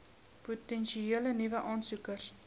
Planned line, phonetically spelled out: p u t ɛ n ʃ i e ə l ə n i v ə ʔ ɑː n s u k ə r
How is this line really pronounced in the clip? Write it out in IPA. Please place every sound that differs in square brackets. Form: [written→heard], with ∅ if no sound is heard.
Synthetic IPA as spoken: p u t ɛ n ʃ i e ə l ə n i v ə ʔ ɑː n s u k ə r